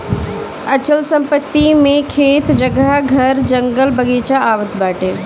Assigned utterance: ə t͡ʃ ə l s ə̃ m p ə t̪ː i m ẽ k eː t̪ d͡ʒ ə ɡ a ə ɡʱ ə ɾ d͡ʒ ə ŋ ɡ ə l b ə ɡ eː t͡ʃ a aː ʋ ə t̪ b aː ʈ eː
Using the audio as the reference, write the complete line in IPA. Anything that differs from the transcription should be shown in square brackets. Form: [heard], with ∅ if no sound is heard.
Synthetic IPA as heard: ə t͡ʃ ə l s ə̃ m p ə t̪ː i m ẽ [kʰ] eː t̪ d͡ʒ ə ɡ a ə ɡʱ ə ɾ d͡ʒ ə ŋ ɡ ə l b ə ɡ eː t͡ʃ a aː ʋ ə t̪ b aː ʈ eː